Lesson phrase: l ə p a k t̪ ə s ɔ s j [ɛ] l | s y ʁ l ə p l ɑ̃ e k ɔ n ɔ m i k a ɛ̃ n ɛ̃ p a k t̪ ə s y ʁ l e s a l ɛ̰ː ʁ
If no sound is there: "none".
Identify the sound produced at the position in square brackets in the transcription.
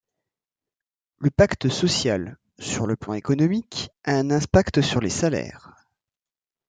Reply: a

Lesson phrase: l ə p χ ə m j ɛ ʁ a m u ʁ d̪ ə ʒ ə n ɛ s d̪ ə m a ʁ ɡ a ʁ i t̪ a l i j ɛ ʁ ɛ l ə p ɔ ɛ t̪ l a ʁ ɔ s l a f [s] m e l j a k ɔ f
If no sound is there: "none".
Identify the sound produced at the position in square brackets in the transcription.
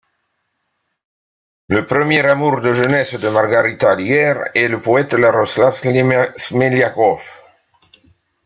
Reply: s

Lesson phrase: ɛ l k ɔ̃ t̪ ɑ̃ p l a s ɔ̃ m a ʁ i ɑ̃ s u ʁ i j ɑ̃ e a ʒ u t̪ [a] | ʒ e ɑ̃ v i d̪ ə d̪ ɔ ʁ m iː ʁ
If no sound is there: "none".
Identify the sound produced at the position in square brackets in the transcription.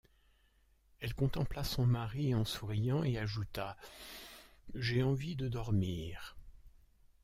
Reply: a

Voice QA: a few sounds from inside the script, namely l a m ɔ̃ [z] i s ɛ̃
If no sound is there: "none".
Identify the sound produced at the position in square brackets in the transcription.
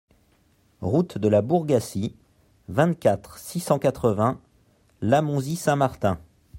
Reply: z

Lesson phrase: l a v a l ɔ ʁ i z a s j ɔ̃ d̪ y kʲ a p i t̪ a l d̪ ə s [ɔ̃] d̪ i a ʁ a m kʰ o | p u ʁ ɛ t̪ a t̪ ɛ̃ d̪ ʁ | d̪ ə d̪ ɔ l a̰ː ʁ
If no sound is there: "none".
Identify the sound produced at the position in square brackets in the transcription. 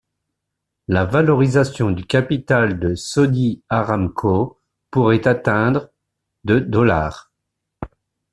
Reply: ɔ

